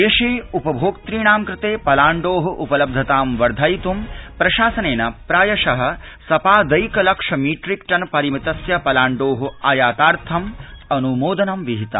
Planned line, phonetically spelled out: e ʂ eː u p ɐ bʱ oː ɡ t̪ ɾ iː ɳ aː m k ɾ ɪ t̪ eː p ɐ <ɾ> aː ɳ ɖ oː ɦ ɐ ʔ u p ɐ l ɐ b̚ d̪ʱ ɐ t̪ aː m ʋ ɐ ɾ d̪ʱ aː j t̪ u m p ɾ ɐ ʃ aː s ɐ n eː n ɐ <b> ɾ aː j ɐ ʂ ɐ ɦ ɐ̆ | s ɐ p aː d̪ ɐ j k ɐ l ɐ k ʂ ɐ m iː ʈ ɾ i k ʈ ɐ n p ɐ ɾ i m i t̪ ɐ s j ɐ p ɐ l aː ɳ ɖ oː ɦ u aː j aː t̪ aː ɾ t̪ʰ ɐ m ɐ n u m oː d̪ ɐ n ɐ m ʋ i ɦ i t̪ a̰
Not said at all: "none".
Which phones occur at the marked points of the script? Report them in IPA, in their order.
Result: l, p

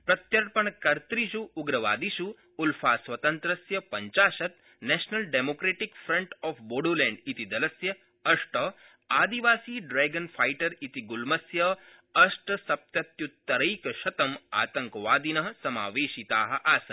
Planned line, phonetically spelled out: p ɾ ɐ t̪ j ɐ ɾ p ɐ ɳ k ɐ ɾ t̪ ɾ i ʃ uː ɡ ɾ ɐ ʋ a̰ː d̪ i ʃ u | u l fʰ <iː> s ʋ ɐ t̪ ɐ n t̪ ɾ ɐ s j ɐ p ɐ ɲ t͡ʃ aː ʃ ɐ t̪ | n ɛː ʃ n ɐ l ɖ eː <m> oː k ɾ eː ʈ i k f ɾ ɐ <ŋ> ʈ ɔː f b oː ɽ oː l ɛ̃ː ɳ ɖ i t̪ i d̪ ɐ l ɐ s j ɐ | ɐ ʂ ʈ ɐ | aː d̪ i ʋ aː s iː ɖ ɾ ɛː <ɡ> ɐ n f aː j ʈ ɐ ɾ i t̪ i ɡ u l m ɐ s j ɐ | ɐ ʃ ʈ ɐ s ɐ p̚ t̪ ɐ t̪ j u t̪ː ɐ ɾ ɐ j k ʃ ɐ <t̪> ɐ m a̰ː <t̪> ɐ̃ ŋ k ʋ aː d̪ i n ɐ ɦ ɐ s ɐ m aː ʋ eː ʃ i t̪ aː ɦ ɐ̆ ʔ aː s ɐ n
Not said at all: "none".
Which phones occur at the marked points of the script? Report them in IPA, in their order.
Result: aː, m, ɳ, ɡ, t̪, t̪

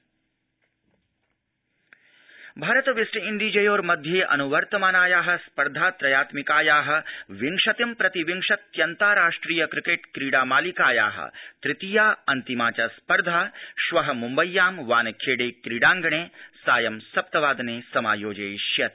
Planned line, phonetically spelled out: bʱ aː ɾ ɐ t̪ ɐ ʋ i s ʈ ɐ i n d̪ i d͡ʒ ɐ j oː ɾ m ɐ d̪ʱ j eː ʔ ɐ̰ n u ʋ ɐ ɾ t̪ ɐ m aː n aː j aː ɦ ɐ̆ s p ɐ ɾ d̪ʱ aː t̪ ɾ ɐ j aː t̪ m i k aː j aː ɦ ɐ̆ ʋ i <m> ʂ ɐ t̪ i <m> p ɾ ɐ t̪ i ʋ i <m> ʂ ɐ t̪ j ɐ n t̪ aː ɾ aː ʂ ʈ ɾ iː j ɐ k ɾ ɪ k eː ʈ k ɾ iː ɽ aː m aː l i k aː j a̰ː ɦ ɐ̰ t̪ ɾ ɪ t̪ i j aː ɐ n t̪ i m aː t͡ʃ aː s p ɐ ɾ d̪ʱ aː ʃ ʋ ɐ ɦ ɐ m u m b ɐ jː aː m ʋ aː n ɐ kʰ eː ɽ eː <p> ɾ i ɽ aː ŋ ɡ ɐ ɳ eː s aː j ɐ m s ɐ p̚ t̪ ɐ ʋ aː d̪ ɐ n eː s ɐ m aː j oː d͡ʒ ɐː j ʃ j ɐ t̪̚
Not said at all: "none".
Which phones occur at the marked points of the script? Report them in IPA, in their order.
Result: ŋ, m, ŋ, k

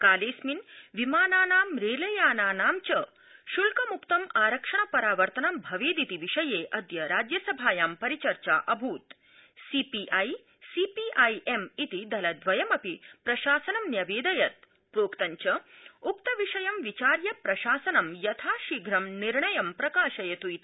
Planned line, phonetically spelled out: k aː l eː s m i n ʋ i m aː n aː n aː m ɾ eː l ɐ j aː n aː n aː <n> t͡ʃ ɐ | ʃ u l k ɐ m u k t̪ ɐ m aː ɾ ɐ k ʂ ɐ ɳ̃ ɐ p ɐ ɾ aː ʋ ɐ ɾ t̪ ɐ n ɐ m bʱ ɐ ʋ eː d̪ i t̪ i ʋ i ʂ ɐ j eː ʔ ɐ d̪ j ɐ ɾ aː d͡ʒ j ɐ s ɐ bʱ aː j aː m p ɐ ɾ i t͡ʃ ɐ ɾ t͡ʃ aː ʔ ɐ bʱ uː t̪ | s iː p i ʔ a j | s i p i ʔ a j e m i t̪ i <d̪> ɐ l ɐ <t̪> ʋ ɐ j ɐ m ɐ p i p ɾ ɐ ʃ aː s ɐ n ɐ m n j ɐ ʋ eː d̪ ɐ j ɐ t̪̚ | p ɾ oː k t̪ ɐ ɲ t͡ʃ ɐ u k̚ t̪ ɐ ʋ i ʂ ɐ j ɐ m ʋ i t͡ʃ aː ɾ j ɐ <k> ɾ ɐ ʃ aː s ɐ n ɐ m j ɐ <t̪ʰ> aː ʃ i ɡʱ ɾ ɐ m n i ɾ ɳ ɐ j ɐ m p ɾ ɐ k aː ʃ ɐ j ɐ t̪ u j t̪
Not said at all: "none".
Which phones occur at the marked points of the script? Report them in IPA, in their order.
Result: m, d̪, d̪, p, t̪ʰ

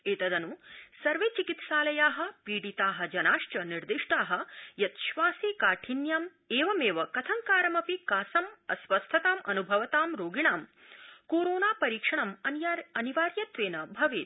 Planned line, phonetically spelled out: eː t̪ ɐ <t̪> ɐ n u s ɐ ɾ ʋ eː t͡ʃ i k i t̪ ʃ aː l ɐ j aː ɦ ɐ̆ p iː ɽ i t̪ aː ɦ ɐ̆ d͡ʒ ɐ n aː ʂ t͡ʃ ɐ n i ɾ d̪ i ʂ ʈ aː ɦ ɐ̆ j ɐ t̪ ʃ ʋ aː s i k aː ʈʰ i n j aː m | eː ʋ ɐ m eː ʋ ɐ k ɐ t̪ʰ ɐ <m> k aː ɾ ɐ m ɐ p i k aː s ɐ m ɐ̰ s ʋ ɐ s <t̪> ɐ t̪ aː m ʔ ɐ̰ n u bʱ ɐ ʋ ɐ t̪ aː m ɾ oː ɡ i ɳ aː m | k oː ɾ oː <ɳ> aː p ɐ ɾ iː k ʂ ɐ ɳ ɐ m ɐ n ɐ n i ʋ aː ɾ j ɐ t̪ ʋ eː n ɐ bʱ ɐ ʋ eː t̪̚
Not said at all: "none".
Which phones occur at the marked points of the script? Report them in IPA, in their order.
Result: d̪, ŋ, t̪ʰ, n

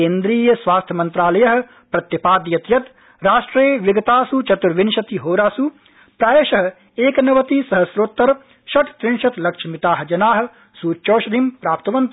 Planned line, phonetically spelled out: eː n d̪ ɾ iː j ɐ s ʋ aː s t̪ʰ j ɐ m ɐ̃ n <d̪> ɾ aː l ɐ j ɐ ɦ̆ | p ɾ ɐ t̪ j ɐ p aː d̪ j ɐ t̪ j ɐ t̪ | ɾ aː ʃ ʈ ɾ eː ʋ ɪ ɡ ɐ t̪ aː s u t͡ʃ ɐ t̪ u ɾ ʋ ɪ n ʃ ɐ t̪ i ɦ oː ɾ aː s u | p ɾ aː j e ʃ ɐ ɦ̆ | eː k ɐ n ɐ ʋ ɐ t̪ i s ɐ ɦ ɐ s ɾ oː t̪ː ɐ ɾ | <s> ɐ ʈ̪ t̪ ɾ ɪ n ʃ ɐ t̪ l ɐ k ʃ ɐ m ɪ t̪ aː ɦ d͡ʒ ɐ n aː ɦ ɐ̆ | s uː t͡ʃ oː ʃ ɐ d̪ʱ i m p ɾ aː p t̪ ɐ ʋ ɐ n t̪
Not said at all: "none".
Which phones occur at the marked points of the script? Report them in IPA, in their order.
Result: t̪, ʃ

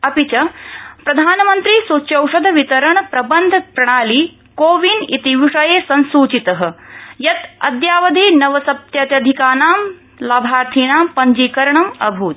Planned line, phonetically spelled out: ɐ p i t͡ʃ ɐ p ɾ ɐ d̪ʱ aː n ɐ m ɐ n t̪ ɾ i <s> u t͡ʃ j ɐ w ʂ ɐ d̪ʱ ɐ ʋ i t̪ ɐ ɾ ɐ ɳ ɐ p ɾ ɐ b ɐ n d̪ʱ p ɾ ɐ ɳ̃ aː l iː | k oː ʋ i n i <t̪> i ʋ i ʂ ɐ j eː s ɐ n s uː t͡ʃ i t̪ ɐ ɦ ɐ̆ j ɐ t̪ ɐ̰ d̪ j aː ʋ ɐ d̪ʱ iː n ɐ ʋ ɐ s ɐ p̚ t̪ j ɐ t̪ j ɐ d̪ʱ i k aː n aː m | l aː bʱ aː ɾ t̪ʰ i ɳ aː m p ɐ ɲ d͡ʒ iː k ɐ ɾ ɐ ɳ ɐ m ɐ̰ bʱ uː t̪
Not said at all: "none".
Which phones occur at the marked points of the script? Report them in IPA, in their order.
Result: s, t̪

